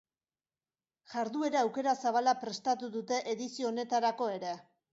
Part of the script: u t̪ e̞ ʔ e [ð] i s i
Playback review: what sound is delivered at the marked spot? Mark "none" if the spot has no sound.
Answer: ð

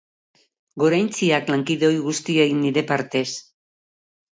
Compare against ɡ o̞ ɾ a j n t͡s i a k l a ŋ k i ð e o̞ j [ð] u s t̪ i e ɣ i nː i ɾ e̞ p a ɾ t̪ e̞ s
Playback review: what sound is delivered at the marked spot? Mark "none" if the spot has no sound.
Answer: ɣ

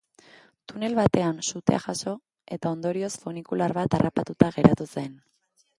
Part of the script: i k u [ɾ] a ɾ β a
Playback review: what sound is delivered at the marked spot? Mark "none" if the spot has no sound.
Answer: l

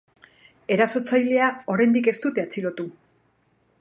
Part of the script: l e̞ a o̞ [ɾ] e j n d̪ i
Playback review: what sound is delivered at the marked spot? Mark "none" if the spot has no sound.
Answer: ɾ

